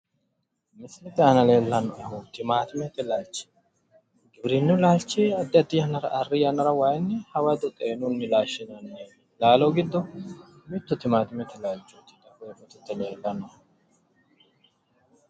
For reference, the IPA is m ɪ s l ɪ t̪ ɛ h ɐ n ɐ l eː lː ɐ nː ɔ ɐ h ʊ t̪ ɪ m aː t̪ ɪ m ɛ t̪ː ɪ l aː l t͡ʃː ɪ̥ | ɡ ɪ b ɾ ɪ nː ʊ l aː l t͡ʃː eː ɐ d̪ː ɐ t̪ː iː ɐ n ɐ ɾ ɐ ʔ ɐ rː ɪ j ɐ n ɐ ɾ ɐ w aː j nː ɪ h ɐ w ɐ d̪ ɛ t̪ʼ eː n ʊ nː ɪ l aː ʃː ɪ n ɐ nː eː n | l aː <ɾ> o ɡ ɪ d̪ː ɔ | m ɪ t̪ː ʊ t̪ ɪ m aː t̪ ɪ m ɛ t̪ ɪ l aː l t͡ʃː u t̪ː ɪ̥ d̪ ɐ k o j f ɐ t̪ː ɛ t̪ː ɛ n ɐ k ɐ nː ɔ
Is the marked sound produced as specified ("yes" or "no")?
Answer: no